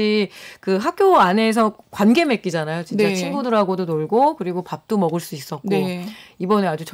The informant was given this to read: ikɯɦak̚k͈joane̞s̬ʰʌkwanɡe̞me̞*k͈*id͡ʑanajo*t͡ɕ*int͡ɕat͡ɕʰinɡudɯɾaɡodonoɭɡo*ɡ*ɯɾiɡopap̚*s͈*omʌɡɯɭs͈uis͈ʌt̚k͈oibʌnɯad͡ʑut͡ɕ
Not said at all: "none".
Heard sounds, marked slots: k͈, t͡ɕ, k, t͈

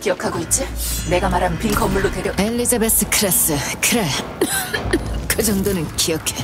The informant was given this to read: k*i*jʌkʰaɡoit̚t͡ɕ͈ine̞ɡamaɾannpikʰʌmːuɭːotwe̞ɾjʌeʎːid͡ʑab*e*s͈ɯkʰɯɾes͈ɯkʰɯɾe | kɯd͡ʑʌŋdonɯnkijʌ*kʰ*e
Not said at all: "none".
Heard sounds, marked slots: i, e, kʰ

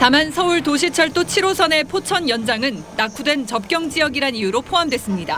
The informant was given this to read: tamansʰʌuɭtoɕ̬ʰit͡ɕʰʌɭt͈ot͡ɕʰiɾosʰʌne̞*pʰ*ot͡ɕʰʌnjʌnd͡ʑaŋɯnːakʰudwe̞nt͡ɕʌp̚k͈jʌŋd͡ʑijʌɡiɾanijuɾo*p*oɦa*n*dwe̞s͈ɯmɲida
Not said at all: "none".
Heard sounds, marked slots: pʰ, pʰ, m

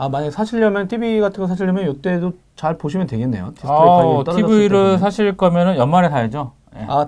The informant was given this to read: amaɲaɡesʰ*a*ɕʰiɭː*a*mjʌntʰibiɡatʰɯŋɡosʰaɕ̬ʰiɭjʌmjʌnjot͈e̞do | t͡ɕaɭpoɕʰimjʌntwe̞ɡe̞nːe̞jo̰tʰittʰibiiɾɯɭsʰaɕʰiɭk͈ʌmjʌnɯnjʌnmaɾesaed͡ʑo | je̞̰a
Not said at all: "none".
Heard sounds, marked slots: a, ʌ

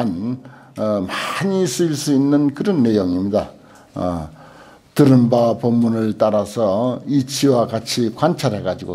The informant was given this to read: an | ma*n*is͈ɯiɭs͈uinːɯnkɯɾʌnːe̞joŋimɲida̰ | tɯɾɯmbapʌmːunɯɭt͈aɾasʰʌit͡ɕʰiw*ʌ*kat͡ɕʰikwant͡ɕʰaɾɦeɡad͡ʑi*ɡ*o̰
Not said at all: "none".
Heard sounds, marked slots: ɲ, a, ɡ

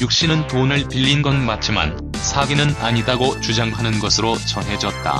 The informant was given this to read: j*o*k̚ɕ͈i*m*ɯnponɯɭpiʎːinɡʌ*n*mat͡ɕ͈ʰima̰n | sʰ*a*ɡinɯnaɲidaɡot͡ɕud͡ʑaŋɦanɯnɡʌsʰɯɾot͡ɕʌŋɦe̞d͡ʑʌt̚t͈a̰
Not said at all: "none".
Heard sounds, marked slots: u, n, n, a

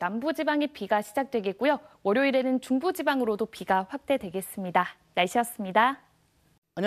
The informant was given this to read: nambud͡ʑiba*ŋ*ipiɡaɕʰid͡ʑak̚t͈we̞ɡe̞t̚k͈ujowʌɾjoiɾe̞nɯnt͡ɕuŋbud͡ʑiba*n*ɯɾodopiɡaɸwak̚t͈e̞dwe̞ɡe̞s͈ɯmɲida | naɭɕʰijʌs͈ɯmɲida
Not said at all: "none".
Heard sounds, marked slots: ŋ, ŋ

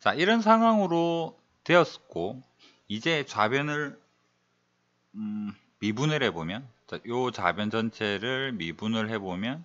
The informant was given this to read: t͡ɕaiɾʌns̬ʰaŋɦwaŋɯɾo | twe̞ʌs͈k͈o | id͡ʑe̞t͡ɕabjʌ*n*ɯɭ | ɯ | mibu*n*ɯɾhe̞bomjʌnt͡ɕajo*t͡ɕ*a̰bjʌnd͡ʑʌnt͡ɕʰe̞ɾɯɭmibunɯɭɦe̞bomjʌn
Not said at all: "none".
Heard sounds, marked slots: n, n, t͡ɕ

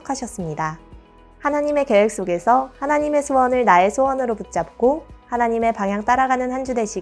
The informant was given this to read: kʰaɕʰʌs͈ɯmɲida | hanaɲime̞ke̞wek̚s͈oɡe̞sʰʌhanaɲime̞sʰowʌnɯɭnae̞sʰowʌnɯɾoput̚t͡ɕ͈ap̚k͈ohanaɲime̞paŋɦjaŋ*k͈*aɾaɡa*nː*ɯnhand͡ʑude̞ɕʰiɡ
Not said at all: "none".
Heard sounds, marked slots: t͈, n

